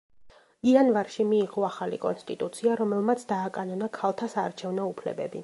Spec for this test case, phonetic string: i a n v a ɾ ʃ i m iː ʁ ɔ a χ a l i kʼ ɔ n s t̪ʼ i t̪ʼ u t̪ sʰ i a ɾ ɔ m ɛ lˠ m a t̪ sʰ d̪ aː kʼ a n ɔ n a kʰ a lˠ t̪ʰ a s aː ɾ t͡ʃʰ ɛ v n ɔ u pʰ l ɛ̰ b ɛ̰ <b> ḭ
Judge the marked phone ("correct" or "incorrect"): correct